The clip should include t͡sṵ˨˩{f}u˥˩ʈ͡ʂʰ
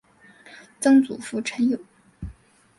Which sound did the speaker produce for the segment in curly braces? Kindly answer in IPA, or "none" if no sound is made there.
f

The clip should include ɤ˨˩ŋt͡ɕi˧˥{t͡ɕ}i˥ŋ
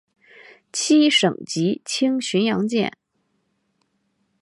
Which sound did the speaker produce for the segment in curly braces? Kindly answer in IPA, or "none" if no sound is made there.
t͡ɕʰ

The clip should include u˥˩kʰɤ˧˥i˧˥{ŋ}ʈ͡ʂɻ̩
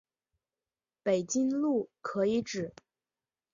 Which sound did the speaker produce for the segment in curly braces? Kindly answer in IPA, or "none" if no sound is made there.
none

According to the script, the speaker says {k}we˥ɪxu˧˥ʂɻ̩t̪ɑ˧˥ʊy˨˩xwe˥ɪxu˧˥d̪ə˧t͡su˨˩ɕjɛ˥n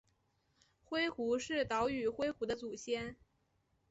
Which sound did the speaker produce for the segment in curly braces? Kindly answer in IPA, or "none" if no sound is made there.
x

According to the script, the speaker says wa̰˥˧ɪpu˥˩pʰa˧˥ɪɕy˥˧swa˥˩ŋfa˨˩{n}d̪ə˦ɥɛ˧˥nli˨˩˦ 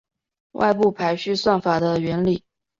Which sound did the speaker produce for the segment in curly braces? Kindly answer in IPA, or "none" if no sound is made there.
none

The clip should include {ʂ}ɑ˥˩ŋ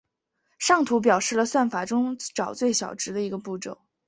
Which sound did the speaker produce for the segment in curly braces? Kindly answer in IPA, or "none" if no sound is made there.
ʂ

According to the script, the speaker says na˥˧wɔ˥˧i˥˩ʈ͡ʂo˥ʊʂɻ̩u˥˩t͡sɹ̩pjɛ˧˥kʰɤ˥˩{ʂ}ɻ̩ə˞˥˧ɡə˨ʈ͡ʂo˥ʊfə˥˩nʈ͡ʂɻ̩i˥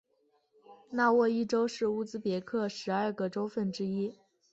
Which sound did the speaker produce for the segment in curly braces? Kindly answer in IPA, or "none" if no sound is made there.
ʂ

